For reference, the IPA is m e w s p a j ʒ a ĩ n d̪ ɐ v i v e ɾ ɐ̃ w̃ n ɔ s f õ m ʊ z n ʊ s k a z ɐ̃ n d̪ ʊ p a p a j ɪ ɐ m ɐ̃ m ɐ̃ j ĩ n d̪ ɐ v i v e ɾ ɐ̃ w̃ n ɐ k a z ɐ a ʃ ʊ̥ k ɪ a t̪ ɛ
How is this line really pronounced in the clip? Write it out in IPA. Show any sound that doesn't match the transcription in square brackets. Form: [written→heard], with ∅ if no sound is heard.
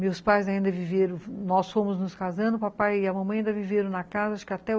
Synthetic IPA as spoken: m e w s p a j [ʒ→z] a ĩ n d̪ ɐ v i v e ɾ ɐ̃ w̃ n ɔ s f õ m ʊ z n ʊ s k a z ɐ̃ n d̪ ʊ p a p a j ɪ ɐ m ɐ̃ m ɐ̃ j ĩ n d̪ ɐ v i v e ɾ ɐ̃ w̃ n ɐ k a z ɐ a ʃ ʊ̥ k ɪ a t̪ ɛ

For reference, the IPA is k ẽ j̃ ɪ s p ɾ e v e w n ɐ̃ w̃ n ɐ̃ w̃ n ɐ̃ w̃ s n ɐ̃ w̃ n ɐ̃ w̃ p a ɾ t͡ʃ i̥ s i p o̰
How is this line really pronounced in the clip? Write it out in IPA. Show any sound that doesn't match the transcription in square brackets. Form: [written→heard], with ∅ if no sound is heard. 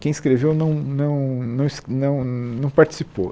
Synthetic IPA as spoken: k ẽ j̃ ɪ s [p→k] ɾ e v e w n ɐ̃ w̃ n ɐ̃ w̃ n ɐ̃ w̃ s n ɐ̃ w̃ n ɐ̃ w̃ p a ɾ t͡ʃ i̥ s i p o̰

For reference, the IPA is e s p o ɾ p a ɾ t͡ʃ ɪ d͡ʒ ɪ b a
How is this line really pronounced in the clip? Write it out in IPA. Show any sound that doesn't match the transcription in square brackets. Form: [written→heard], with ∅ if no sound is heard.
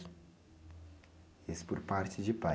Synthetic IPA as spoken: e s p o ɾ p a ɾ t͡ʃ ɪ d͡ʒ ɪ [b→p] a

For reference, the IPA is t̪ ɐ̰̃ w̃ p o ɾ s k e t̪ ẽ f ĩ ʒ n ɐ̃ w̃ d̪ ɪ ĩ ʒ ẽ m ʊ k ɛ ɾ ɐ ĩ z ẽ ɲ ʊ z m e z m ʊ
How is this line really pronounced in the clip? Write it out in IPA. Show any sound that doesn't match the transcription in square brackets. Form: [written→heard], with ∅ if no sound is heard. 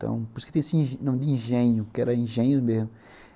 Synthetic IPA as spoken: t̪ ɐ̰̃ w̃ p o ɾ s k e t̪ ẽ [f→s] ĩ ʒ n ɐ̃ w̃ d̪ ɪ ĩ ʒ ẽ [m→ɲ] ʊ k ɛ ɾ ɐ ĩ [z→ʒ] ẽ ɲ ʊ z m e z m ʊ

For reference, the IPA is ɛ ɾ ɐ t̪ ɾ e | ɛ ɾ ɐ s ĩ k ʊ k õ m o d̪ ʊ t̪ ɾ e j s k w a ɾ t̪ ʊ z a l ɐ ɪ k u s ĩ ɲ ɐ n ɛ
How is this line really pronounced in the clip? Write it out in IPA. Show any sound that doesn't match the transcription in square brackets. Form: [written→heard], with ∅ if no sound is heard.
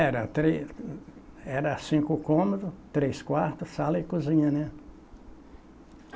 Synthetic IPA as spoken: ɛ ɾ ɐ t̪ ɾ e | ɛ ɾ ɐ s ĩ k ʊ k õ m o d̪ ʊ t̪ ɾ e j s k w a ɾ t̪ ʊ [z→s] a l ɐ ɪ k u [s→z] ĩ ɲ ɐ n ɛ

